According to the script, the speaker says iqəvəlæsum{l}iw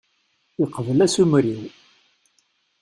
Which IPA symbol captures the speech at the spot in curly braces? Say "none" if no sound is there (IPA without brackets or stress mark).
ɾ